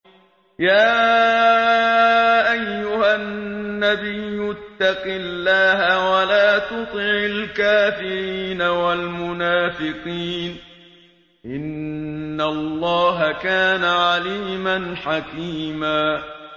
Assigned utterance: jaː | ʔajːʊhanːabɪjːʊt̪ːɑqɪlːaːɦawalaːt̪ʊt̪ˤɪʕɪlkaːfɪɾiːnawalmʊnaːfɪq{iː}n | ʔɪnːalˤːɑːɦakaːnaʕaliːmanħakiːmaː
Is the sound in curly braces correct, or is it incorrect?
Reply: correct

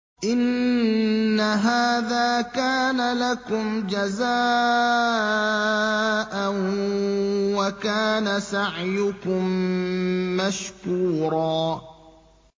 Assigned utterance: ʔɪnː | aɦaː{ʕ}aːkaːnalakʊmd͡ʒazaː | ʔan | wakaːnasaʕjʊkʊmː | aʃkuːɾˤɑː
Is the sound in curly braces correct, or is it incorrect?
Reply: incorrect: ð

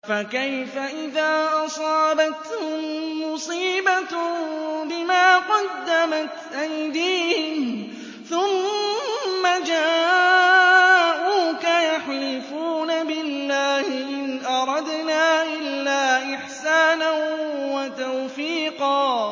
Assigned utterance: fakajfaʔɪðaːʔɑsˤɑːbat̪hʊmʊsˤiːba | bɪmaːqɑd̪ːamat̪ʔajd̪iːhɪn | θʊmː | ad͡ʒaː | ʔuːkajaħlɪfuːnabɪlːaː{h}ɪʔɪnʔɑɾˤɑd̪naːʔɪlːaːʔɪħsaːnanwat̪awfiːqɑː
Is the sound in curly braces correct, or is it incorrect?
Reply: correct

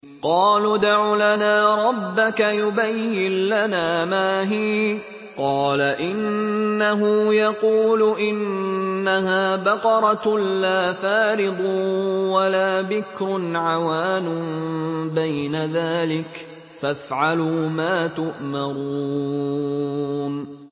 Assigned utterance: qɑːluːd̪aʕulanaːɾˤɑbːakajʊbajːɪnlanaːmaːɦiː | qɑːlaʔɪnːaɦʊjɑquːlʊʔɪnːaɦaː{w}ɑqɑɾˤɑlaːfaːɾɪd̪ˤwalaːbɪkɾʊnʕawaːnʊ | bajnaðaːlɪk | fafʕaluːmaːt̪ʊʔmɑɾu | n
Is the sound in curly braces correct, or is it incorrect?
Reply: incorrect: b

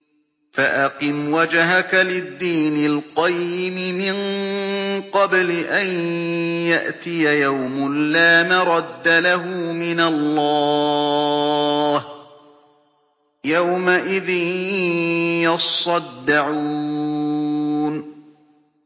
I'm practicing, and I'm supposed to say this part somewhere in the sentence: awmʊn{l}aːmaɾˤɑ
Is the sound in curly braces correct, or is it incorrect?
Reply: correct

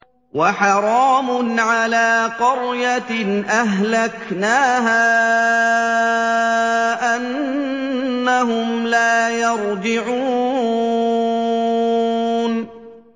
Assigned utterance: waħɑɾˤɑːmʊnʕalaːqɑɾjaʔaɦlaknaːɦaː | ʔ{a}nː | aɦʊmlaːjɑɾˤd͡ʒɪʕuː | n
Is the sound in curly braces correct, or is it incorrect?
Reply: correct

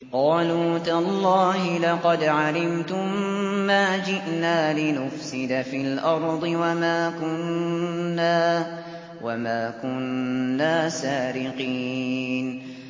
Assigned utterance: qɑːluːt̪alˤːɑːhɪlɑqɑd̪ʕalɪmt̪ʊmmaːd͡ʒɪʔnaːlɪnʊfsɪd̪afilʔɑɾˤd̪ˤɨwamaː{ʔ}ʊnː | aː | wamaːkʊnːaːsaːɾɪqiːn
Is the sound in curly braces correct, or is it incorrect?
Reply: incorrect: k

